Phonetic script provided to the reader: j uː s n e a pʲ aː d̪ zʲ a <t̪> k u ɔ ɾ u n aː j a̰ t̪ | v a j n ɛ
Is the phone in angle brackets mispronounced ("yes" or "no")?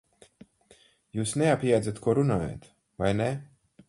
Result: no